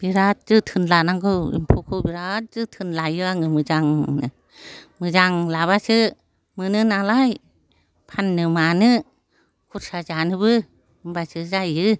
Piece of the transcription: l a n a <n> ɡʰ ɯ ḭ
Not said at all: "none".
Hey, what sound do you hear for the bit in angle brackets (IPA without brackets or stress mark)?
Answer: ŋ